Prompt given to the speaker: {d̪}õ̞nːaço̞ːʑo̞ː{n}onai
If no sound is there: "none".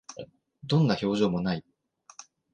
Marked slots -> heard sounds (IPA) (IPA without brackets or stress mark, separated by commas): d̪, m